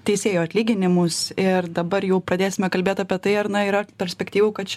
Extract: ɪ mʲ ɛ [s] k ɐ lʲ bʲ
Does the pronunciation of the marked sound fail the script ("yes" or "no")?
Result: yes